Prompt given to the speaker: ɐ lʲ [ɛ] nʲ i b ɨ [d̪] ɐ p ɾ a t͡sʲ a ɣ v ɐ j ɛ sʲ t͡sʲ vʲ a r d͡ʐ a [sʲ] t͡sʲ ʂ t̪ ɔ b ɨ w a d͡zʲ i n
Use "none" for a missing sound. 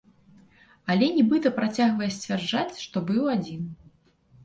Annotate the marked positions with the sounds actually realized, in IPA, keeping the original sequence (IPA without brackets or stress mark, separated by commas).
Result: ɛ, t̪, none